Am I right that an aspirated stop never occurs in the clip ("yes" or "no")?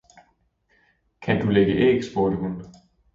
no